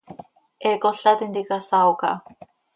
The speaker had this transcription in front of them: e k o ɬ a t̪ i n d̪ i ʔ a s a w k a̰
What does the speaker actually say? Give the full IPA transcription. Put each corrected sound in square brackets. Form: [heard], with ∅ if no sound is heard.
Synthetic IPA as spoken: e k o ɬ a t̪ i n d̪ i [k] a s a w k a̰